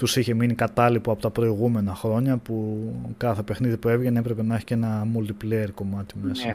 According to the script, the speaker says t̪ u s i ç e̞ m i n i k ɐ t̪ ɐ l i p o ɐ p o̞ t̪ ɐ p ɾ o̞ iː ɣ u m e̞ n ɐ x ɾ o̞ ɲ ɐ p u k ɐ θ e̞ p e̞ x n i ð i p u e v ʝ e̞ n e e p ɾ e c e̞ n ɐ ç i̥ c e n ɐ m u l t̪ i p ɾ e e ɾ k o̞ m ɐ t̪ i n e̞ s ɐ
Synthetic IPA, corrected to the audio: t̪ u s i ç e̞ m i n i k ɐ t̪ ɐ l i p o ɐ p o̞ t̪ ɐ p ɾ o̞ i ɣ u m e̞ n ɐ x ɾ o̞ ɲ ɐ p u k ɐ θ e̞ p e̞ x n i ð i p u e v ʝ e̞ n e e p ɾ e p e̞ n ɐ ç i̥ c e n ɐ m u l t̪ i p l e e ɾ k o̞ m ɐ t̪ i m e̞ s ɐ